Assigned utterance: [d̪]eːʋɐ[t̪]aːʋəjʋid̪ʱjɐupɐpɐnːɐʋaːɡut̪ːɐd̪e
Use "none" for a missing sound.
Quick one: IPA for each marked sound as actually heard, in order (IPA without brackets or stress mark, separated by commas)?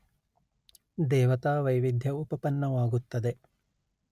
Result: d̪, t̪